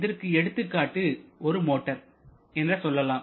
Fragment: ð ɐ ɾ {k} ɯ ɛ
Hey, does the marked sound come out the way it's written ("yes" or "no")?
yes